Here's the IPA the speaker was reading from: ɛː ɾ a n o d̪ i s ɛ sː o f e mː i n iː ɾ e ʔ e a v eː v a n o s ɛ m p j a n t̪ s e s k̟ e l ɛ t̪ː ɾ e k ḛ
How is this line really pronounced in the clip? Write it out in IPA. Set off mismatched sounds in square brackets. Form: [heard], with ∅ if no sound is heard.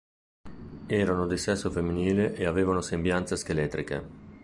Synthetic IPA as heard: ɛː ɾ a n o d̪ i s ɛ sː o f e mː i n iː [l] e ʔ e a v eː v a n o s [e] m [b] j a n t̪ s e s k̟ e l ɛ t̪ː ɾ [i] k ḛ